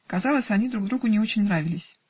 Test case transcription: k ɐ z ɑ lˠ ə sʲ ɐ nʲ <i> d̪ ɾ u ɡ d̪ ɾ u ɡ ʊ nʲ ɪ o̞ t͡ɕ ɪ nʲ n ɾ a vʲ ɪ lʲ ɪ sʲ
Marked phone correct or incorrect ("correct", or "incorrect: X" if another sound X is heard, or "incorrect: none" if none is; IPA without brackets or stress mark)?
correct